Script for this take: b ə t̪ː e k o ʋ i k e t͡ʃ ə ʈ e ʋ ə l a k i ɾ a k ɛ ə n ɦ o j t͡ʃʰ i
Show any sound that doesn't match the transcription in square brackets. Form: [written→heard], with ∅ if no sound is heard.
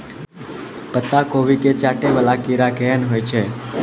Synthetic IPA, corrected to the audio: [b→p] ə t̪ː [e→a] k o ʋ i k e t͡ʃ [ə→a] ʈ e ʋ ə l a k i ɾ a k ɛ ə n ɦ o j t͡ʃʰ [i→e]